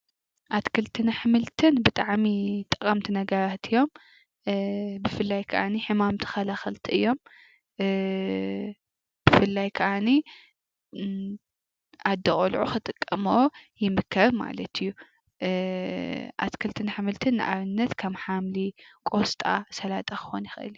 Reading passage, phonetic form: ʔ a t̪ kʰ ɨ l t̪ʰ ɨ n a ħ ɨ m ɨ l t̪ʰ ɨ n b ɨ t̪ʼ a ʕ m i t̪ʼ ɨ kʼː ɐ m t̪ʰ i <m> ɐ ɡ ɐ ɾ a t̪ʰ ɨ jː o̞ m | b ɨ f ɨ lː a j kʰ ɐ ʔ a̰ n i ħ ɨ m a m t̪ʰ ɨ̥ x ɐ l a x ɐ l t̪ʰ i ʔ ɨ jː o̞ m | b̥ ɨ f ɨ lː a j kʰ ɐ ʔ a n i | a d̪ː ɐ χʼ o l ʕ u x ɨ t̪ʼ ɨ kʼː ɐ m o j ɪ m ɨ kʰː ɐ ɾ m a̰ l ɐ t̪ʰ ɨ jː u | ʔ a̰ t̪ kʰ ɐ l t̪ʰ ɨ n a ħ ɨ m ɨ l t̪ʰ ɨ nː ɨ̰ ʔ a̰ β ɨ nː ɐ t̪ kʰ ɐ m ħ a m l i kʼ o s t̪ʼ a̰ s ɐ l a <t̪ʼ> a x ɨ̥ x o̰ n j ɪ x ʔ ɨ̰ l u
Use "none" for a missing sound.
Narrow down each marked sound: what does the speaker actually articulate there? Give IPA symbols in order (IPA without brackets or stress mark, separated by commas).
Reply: n, t̪ʼ